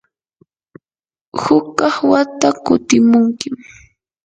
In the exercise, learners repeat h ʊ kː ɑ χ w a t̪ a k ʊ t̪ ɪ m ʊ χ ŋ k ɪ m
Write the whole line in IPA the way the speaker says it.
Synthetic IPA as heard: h ʊ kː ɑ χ w a t̪ a k ʊ t̪ ɪ m ʊ ŋ k ɪ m